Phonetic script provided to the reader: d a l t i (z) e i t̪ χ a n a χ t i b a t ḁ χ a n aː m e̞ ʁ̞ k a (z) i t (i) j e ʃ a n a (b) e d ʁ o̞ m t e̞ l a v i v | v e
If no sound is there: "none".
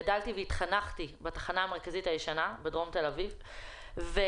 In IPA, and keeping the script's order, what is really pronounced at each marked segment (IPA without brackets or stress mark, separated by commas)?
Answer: v, z, a, b